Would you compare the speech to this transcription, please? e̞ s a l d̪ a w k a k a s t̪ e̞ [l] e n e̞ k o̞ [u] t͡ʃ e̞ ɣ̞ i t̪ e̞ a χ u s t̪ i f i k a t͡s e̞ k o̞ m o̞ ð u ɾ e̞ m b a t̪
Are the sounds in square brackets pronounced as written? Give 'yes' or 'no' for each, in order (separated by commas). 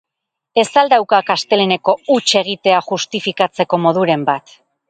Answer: yes, yes